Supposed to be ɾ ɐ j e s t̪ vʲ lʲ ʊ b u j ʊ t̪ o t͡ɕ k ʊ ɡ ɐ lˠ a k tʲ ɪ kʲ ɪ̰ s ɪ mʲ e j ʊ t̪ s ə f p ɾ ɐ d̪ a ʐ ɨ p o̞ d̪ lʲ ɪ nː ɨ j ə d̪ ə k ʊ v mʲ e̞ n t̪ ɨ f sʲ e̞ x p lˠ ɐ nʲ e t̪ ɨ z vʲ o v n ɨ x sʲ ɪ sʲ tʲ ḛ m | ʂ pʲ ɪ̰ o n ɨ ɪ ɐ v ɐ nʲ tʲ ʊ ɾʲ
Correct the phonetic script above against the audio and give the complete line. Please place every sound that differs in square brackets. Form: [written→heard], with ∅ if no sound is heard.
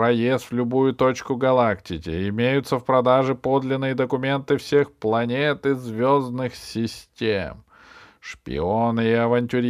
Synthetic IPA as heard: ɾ ɐ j e s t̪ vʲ lʲ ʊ b u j ʊ t̪ o t͡ɕ k ʊ ɡ ɐ lˠ a k tʲ ɪ kʲ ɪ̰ [s→∅] ɪ mʲ e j ʊ t̪ s ə f p ɾ ɐ d̪ a ʐ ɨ p o̞ d̪ lʲ ɪ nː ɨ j ə d̪ ə k ʊ [v→∅] mʲ e̞ n t̪ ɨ f sʲ e̞ x p lˠ ɐ nʲ e t̪ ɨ z vʲ o [v→z] n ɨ x sʲ ɪ sʲ tʲ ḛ m | ʂ pʲ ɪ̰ o n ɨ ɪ ɐ v ɐ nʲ tʲ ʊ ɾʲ